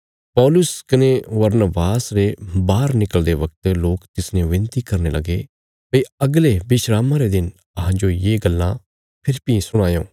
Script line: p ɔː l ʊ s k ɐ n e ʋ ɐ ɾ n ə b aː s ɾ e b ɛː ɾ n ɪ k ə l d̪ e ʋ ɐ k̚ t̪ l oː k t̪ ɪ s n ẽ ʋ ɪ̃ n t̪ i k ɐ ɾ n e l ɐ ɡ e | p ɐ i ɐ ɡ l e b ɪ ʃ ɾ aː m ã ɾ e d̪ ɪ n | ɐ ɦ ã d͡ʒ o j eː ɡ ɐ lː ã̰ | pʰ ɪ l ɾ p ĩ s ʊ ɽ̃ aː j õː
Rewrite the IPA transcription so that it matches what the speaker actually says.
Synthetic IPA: p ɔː l ʊ s k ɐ n e ʋ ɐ ɾ n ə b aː s ɾ e b aː ɾ n ɪ k ə l d̪ e ʋ ɐ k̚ t̪ l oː k t̪ ɪ s n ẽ ʋ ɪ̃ n t̪ i k ɐ ɾ n e l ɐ ɡ e | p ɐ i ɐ ɡ l e b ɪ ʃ ɾ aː m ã ɾ e d̪ ɪ n | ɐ ɦ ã d͡ʒ o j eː ɡ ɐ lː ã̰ | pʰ ɪ ɾ p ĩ s ʊ ɽ̃ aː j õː